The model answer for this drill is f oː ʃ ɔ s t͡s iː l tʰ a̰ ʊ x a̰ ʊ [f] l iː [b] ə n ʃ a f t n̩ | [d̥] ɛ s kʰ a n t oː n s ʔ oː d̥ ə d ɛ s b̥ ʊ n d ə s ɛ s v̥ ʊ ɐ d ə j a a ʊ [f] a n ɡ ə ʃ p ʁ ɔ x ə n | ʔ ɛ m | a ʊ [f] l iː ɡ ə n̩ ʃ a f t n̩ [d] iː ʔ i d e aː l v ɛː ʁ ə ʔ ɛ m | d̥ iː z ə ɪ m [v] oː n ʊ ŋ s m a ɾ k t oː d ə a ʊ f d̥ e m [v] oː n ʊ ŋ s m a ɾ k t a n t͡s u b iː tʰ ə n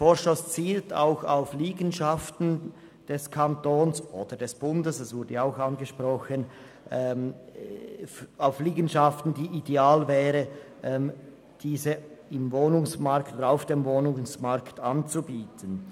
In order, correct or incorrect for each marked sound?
correct, incorrect, correct, incorrect, correct, correct, correct, correct

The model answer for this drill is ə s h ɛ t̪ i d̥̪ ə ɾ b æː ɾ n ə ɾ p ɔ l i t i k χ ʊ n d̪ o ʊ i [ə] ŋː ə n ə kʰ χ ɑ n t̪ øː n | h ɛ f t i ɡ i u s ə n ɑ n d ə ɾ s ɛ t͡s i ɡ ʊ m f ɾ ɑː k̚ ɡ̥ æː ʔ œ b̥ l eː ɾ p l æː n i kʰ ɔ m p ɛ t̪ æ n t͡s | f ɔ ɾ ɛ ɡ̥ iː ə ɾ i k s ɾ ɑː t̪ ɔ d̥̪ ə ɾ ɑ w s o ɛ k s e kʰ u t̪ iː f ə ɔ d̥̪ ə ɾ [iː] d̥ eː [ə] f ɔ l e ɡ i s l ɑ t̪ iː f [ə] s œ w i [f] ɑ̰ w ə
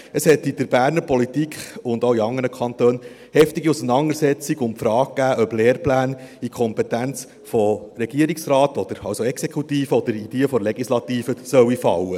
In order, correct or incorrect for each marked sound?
incorrect, incorrect, correct, correct, correct

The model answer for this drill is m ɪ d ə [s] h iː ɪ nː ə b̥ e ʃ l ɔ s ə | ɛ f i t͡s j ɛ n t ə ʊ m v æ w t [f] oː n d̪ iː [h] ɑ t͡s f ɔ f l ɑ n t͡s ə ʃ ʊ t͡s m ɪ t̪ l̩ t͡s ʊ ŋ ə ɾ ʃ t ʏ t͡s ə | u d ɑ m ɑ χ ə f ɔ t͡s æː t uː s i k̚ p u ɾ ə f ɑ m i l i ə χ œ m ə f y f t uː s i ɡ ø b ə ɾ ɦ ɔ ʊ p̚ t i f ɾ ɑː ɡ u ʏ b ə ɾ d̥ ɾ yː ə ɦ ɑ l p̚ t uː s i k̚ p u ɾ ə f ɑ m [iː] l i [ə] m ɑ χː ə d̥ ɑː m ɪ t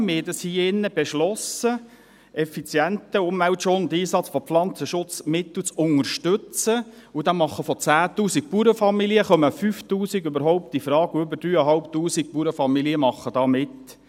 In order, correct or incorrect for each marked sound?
correct, incorrect, incorrect, incorrect, correct

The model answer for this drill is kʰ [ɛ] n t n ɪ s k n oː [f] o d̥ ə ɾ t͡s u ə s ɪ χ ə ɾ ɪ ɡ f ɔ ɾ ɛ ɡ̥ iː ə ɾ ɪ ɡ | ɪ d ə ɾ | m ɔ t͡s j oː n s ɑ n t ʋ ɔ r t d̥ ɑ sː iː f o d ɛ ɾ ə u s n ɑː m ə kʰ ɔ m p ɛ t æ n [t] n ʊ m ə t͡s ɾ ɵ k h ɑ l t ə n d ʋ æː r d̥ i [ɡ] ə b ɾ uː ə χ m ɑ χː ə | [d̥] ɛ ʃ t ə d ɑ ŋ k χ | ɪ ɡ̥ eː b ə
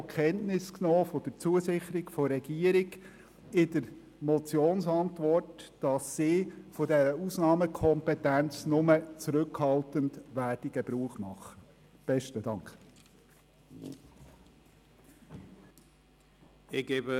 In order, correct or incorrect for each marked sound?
correct, correct, incorrect, correct, incorrect

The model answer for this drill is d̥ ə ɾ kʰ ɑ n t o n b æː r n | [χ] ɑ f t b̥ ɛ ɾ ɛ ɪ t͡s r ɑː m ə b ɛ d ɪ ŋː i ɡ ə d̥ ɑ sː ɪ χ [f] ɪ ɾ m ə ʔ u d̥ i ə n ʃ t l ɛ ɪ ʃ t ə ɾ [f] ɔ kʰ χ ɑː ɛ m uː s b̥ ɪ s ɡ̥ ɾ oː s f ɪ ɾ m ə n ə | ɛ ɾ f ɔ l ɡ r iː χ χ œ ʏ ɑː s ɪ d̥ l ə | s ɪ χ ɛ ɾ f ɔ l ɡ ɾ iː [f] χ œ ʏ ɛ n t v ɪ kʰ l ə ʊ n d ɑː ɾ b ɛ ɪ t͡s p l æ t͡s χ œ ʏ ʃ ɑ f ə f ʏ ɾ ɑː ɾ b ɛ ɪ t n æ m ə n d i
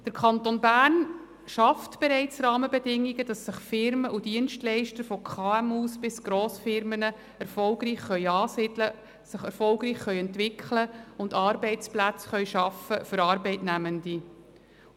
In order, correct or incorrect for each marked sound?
incorrect, correct, correct, incorrect

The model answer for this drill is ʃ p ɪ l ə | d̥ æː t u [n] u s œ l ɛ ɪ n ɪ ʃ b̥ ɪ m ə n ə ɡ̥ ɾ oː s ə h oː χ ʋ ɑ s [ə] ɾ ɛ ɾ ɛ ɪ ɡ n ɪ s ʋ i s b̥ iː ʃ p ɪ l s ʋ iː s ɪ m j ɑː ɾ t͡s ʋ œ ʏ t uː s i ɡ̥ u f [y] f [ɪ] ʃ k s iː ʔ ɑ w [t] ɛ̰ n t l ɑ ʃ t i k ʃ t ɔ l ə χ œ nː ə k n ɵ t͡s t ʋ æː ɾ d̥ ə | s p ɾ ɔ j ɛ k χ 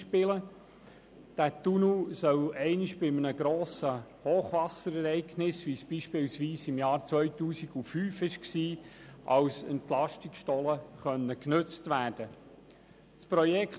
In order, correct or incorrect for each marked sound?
correct, correct, incorrect, correct, incorrect

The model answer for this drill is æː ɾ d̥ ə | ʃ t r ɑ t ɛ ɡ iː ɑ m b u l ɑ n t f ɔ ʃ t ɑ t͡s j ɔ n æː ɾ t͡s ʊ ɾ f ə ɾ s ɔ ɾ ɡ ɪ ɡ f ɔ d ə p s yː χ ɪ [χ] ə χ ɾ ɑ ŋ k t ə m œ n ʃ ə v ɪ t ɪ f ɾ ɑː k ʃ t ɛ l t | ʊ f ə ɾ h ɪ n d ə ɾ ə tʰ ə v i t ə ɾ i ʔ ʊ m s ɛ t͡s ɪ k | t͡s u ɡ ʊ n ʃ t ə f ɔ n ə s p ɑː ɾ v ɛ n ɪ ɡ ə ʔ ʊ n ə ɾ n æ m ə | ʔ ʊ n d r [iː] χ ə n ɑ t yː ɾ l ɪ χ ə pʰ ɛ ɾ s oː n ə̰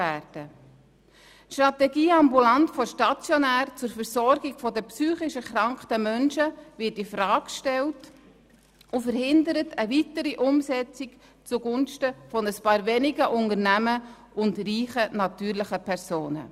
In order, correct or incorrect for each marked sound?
incorrect, correct

